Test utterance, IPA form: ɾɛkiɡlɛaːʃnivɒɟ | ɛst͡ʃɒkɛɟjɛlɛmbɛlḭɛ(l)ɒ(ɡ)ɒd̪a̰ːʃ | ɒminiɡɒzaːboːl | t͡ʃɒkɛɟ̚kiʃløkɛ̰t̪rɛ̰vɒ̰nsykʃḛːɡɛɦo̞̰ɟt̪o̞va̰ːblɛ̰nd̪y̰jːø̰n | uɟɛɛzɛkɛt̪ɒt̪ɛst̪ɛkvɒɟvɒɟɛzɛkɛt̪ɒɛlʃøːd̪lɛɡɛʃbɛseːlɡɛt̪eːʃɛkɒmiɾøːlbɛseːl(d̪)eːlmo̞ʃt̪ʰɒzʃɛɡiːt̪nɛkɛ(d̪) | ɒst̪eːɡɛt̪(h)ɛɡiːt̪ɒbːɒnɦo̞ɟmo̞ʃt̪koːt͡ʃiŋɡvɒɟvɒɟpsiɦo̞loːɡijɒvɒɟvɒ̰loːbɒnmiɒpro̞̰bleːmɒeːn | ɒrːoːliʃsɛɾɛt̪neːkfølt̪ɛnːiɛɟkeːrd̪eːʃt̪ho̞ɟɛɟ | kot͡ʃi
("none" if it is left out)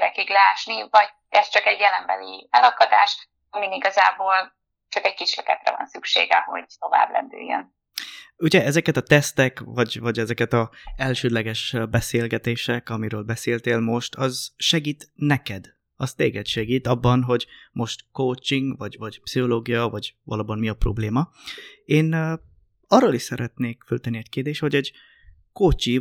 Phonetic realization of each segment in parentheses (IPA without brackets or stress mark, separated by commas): l, k, t̪, d̪, ʃ